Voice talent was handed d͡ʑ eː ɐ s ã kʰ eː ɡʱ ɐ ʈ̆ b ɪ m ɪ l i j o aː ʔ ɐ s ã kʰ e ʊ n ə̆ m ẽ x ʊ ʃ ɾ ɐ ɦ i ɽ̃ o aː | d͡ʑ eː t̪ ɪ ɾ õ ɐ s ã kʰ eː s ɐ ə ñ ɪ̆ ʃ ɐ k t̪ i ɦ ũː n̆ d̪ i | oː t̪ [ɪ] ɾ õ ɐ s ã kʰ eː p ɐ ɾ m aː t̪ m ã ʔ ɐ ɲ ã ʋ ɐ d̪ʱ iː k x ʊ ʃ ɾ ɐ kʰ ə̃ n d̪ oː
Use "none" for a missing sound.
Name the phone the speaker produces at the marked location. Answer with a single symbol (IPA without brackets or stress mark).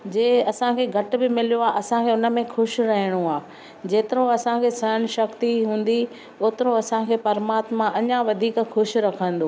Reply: ɪ